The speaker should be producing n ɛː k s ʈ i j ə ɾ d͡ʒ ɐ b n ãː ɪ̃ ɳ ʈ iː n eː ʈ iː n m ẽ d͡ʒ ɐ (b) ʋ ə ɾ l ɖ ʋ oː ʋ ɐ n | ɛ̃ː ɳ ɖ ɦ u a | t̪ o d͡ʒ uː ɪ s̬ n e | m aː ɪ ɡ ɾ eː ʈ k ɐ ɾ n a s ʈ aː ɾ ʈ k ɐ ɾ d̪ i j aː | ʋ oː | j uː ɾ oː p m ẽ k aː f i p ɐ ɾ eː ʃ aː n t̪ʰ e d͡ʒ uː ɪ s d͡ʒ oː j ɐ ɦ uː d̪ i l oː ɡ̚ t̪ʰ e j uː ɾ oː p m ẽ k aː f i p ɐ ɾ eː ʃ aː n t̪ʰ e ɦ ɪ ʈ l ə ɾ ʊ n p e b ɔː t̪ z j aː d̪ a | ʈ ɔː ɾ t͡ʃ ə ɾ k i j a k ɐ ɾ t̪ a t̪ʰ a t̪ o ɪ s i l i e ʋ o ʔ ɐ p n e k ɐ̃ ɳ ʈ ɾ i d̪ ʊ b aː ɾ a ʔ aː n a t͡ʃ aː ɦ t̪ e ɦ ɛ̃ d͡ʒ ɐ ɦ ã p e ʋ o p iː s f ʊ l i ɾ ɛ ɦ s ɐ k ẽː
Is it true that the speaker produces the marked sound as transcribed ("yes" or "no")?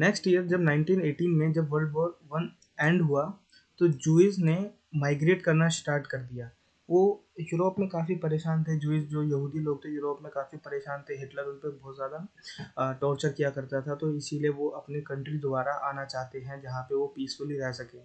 yes